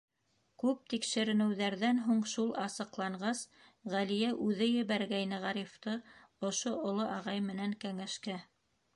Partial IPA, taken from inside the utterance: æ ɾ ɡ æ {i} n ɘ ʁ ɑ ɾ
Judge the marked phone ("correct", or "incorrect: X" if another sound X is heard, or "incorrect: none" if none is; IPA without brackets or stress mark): incorrect: j